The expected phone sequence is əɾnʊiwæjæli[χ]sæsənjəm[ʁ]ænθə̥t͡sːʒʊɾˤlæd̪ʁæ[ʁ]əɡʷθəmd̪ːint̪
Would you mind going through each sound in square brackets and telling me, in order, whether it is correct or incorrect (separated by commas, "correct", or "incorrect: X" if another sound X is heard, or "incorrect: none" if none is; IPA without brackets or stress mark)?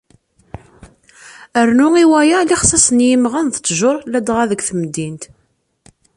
correct, correct, incorrect: ð